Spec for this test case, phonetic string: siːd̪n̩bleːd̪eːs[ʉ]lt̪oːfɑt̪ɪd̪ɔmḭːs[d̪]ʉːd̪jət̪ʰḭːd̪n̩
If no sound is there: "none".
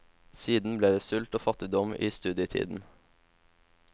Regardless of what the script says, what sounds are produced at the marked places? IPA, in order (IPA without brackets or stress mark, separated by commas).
ʉ, t̪